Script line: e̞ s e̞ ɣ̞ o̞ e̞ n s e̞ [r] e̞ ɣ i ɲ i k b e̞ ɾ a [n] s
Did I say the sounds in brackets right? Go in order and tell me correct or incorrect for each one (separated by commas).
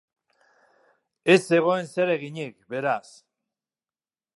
incorrect, incorrect